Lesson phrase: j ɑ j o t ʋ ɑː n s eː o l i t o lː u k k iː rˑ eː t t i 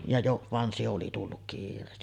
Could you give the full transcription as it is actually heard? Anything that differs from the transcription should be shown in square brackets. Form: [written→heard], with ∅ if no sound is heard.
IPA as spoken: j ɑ j o [t→ʔ] ʋ [ɑː→ɑ] n s [eː→e] o l i t [o→u] lː u k k iː rˑ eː [t→s] t i